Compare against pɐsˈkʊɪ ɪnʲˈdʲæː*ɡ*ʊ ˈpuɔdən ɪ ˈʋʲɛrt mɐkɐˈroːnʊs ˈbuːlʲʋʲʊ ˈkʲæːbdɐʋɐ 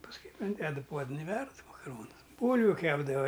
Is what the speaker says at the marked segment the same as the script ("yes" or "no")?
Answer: no